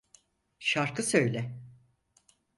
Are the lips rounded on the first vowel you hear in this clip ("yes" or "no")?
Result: no